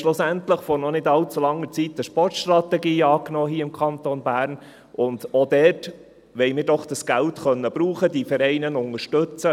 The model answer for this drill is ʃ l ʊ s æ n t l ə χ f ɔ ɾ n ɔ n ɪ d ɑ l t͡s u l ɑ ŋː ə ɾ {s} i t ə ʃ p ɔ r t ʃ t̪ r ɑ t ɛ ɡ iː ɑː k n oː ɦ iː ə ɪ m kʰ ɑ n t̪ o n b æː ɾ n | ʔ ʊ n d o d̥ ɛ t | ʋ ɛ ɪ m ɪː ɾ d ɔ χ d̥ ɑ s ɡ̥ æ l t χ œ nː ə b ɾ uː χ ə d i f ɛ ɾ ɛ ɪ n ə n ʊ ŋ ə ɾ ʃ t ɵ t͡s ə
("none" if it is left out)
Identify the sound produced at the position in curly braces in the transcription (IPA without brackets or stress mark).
t͡s